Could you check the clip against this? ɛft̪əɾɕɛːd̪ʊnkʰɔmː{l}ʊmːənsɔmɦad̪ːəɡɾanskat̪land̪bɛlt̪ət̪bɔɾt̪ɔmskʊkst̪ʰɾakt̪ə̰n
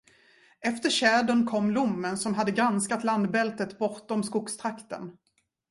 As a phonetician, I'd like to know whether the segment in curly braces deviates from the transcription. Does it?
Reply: no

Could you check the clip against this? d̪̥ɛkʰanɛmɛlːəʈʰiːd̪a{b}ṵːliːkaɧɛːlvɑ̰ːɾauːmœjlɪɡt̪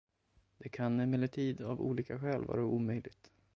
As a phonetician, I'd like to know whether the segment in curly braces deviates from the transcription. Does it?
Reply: yes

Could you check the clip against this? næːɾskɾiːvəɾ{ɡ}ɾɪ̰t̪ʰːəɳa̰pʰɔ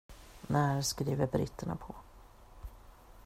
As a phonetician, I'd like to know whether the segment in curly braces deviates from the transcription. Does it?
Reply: yes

